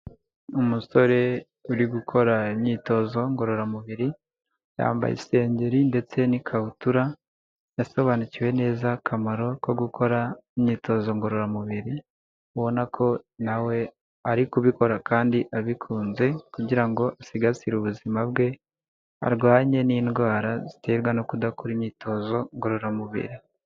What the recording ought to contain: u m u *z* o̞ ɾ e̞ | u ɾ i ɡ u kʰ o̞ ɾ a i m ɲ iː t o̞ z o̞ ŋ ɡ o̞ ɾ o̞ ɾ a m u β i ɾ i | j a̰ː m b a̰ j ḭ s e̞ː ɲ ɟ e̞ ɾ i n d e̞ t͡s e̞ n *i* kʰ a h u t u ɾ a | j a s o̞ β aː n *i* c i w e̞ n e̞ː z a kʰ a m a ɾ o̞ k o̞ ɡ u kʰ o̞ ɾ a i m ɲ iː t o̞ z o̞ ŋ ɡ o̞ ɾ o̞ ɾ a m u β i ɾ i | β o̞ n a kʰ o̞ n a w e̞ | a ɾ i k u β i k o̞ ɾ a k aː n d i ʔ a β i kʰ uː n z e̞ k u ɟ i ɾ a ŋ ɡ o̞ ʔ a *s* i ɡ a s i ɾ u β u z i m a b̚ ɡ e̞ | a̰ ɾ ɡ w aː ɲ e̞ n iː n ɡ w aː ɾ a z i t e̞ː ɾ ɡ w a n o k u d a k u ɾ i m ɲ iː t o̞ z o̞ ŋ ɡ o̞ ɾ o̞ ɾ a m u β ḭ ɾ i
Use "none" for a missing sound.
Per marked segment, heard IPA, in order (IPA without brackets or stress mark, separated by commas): s, i, i, s